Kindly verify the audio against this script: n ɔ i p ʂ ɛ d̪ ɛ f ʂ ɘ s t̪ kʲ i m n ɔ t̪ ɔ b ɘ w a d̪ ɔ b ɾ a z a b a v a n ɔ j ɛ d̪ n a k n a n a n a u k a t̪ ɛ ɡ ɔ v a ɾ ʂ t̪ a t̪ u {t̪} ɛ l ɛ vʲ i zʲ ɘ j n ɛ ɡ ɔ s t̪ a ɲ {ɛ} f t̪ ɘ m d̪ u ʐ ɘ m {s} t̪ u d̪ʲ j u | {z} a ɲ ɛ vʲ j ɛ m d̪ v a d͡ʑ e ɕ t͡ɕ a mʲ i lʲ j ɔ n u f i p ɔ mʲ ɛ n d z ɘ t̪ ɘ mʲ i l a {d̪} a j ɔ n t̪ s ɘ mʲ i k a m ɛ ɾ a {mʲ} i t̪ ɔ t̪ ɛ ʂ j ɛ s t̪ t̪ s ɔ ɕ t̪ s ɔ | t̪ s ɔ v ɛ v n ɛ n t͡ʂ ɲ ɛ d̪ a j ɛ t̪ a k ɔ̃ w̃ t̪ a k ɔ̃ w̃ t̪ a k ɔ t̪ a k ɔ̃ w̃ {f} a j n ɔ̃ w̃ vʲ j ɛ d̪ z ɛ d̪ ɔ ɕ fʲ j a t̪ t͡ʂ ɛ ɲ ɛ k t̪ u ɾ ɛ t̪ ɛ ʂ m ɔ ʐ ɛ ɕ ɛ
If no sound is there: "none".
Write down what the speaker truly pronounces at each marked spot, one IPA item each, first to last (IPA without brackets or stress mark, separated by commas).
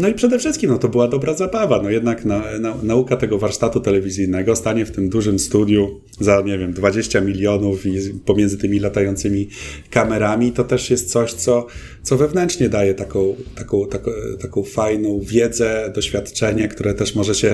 t̪, ɛ, s, z, t̪, mʲ, f